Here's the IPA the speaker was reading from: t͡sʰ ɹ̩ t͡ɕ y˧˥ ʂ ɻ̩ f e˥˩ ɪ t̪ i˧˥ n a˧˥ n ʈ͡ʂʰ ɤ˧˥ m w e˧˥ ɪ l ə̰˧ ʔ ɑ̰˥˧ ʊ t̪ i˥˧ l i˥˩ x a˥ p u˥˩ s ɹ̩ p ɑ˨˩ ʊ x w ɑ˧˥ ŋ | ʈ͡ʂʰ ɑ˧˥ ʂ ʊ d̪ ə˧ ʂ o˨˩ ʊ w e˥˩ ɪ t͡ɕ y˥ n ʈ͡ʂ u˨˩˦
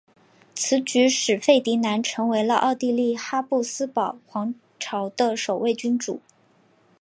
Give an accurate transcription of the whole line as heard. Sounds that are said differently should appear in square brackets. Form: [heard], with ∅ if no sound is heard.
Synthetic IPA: t͡sʰ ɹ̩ t͡ɕ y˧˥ ʂ ɻ̩ f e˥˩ ɪ t̪ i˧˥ n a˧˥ n ʈ͡ʂʰ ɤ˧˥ [ŋ] w e˧˥ ɪ l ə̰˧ ʔ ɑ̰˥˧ ʊ t̪ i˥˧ l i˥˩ x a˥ p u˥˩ s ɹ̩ p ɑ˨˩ ʊ x w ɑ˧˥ ŋ | ʈ͡ʂʰ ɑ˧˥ [∅] ʊ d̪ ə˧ ʂ o˨˩ ʊ w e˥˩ ɪ t͡ɕ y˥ n ʈ͡ʂ u˨˩˦